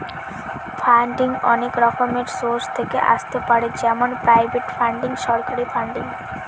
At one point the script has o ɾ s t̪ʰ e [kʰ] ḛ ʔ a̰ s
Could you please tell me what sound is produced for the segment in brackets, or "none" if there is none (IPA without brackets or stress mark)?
k